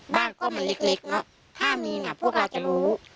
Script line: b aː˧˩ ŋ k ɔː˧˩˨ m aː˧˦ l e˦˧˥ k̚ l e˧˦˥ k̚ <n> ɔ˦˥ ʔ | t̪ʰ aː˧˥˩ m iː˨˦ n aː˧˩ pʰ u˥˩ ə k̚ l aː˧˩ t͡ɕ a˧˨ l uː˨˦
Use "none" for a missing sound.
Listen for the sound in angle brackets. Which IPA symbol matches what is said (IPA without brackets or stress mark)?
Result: n